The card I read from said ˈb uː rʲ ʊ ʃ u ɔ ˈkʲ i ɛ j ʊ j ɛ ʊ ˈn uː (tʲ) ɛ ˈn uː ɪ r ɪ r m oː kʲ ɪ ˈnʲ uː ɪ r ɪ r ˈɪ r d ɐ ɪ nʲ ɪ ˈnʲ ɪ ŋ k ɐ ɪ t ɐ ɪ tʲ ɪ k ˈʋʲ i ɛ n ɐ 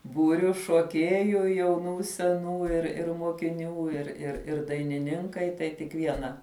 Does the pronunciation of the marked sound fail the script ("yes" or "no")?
yes